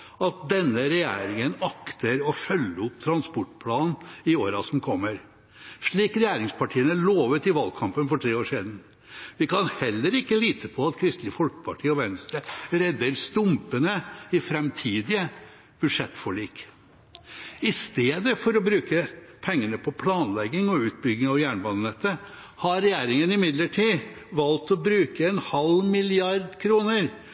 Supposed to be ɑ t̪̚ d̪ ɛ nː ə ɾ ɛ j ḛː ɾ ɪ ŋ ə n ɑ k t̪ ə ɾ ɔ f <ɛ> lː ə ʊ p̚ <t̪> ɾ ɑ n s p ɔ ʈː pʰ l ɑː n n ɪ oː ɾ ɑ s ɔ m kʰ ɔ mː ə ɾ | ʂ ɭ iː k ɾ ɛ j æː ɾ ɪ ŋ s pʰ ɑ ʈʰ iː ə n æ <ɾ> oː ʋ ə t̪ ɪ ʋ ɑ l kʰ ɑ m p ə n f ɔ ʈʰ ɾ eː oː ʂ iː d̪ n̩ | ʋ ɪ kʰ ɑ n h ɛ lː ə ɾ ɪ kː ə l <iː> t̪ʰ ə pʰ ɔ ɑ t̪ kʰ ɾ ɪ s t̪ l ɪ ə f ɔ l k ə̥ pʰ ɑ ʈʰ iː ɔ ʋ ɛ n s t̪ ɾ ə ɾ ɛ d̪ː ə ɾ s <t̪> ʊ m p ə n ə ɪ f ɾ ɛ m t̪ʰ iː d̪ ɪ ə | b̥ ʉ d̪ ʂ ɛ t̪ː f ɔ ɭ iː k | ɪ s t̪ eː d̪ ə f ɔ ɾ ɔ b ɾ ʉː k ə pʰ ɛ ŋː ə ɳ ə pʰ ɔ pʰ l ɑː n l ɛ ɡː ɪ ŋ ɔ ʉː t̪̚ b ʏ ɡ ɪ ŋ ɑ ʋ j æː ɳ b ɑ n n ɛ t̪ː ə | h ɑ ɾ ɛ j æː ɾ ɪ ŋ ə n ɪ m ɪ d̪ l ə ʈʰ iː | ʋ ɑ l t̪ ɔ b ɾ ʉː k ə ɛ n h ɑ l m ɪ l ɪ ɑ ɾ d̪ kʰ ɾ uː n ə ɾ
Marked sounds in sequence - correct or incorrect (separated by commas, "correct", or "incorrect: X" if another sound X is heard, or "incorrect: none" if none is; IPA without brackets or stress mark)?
incorrect: œ, incorrect: t̪ʰ, incorrect: ɭ, correct, correct